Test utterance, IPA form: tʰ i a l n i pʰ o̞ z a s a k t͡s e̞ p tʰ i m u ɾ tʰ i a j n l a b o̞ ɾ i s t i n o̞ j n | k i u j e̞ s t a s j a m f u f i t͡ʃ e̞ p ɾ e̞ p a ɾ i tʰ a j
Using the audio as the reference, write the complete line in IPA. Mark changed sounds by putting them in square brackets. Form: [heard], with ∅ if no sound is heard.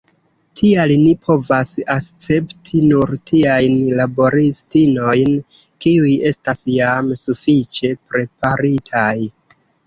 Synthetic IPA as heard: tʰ i a l n i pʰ o̞ [v] a s a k t͡s e̞ p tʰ i [n] u ɾ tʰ i a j n l a b o̞ ɾ i s t i n o̞ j n | k i u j e̞ s t a s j a m [s] u f i t͡ʃ e̞ p ɾ e̞ p a ɾ i tʰ a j